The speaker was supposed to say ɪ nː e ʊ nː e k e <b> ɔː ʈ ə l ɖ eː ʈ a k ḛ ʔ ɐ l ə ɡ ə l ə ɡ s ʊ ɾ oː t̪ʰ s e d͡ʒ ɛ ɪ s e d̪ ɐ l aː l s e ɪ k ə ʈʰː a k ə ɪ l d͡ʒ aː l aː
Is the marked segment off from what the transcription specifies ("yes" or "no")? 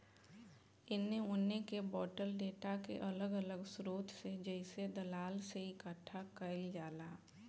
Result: no